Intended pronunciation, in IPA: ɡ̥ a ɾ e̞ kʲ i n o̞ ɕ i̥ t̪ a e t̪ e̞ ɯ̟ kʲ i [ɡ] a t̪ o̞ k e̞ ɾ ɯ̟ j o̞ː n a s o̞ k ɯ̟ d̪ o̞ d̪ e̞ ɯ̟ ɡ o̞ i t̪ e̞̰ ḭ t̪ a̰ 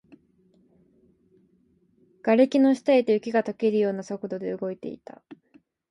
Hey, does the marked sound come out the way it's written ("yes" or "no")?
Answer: yes